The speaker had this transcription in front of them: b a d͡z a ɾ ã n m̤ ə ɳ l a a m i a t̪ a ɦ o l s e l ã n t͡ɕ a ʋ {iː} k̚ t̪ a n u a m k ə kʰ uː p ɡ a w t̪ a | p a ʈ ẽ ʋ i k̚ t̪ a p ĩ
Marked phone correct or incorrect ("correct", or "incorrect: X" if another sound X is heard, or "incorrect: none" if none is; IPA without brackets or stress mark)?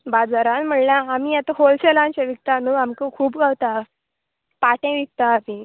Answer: incorrect: i